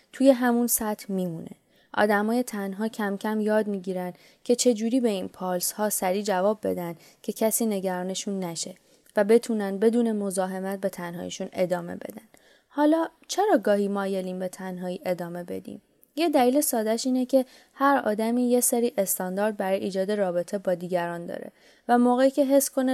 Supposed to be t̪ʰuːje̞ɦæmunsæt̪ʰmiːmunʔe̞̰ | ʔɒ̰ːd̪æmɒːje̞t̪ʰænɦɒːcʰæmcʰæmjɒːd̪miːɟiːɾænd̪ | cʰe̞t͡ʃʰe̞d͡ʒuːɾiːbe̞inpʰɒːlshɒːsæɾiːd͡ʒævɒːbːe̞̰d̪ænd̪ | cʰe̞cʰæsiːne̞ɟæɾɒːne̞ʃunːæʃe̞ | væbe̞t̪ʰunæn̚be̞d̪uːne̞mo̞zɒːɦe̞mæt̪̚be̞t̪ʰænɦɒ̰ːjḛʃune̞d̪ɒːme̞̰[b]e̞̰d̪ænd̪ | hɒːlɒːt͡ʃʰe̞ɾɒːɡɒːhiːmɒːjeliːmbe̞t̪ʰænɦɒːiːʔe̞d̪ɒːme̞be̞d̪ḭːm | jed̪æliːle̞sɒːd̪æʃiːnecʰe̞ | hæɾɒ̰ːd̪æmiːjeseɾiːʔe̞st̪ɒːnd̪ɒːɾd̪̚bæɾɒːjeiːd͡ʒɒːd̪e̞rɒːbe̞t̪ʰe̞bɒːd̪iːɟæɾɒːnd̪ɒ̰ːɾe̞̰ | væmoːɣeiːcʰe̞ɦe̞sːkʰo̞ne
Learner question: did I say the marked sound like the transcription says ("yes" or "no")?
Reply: yes